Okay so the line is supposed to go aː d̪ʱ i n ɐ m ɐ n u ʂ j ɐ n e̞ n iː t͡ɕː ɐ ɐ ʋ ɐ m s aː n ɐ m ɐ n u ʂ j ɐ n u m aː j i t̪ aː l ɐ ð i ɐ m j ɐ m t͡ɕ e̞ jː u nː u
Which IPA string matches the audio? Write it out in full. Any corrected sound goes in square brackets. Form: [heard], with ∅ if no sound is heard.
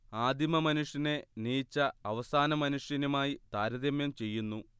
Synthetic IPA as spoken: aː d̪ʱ i [m] ɐ m ɐ n u ʂ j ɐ n e̞ n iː t͡ɕː ɐ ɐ ʋ ɐ [∅] s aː n ɐ m ɐ n u ʂ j ɐ n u m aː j i t̪ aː [ɾ] ɐ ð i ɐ m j ɐ m t͡ɕ e̞ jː u nː u

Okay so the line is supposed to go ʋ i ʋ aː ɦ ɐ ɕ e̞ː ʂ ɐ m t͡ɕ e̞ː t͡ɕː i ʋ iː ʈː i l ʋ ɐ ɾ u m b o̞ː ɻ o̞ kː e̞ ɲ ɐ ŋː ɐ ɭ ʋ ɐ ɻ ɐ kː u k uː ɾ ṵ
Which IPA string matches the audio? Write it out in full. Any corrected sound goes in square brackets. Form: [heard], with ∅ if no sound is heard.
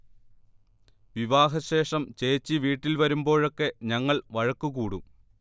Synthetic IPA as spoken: ʋ i ʋ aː ɦ ɐ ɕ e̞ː ʂ ɐ m t͡ɕ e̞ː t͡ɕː i ʋ iː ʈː i l ʋ ɐ ɾ u m b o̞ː ɻ o̞ kː e̞ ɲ ɐ ŋː ɐ ɭ ʋ ɐ ɻ ɐ kː u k uː [ɽ] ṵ

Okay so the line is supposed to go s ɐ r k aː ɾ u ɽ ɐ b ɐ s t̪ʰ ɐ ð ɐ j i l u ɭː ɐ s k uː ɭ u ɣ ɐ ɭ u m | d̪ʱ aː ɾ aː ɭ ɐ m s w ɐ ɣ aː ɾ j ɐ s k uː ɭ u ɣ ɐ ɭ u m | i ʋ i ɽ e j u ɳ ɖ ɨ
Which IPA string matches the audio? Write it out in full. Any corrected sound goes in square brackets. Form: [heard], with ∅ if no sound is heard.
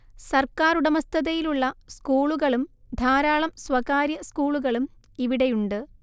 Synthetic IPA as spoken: s ɐ r k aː ɾ u ɽ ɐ [m] ɐ s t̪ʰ ɐ ð ɐ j i l u ɭː ɐ s k uː ɭ u ɣ ɐ ɭ u m | d̪ʱ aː ɾ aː ɭ ɐ m s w ɐ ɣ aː ɾ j ɐ s k uː ɭ u ɣ ɐ ɭ u m | i ʋ i ɽ e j u ɳ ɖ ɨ

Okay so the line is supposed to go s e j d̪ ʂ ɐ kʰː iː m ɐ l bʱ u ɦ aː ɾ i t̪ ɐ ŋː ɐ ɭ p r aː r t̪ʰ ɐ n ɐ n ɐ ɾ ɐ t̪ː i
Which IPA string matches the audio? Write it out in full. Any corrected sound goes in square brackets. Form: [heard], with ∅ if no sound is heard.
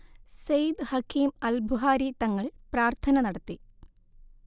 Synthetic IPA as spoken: s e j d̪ [h] ɐ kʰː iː m ɐ l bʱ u ɦ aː ɾ i t̪ ɐ ŋː ɐ ɭ p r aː r t̪ʰ ɐ n ɐ n ɐ [ɽ] ɐ t̪ː i

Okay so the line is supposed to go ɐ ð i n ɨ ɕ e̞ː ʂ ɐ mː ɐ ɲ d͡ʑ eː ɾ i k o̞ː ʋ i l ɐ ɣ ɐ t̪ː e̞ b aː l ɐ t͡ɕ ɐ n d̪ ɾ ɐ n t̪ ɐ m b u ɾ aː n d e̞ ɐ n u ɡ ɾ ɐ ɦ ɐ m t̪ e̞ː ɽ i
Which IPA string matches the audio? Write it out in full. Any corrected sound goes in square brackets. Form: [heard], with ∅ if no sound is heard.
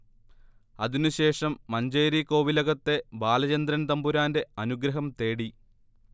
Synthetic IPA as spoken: ɐ ð i n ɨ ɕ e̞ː ʂ ɐ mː ɐ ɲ d͡ʑ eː ɾ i k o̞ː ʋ i l ɐ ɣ ɐ t̪ː e̞ b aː l ɐ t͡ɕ ɐ n d̪ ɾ ɐ n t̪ ɐ m b u ɾ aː n d e̞ ɐ n u ɡ ɾ ɐ ɦ ɐ m t̪ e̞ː ɽ i

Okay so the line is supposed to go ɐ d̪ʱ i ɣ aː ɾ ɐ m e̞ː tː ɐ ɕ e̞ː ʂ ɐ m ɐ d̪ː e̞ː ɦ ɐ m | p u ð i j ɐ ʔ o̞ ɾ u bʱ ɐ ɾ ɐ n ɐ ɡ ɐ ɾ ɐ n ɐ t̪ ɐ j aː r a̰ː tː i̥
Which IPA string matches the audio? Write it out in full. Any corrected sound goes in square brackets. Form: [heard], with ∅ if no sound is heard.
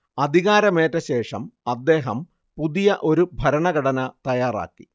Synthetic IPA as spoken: ɐ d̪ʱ i ɣ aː ɾ ɐ m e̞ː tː ɐ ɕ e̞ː ʂ ɐ m ɐ d̪ː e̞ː ɦ ɐ m | p u ð i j ɐ ʔ o̞ ɾ u bʱ ɐ ɾ ɐ [ɳ] ɐ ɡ ɐ [ɽ] ɐ n ɐ t̪ ɐ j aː r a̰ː [kː] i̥

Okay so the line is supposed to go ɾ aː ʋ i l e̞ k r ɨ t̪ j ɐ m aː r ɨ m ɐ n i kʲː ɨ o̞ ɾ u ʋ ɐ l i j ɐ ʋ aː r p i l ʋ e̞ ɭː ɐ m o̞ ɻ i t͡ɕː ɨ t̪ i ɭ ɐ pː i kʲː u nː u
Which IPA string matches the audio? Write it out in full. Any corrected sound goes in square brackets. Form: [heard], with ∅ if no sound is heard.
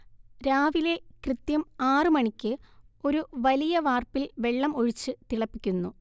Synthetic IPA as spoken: ɾ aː ʋ i l e̞ k r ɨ t̪ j ɐ m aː r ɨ m ɐ [ɳ] i kʲː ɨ o̞ ɾ u ʋ ɐ l i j ɐ ʋ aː r p i l ʋ e̞ ɭː ɐ m o̞ ɻ i t͡ɕː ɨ t̪ i ɭ ɐ pː i kʲː u nː u

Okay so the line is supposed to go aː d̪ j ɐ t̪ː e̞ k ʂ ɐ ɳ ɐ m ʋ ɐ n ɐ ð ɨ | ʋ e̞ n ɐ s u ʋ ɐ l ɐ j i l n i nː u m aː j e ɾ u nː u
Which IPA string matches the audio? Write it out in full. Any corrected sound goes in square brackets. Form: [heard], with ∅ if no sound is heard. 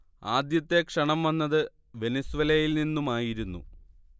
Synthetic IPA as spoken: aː d̪ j ɐ t̪ː e̞ k ʂ ɐ ɳ ɐ m ʋ ɐ [nː] ɐ ð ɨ | ʋ e̞ n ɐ s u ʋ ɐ l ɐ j i l n i nː u m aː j [i] ɾ u nː u

